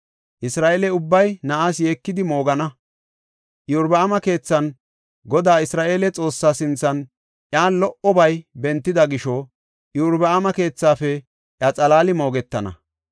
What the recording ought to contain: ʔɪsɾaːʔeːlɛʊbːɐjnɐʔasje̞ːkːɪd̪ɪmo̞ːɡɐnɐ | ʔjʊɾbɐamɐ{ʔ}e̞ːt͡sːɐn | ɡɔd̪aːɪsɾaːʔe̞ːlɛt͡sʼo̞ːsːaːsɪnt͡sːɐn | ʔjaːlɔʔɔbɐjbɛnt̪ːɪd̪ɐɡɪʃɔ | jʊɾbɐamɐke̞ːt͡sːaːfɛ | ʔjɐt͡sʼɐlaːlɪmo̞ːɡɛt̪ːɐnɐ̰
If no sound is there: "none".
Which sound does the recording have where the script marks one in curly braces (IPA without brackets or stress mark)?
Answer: k